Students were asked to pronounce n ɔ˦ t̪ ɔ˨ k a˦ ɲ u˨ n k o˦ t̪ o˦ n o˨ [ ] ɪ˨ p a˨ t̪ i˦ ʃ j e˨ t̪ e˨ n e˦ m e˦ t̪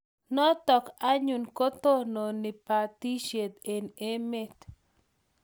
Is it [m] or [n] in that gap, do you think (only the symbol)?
n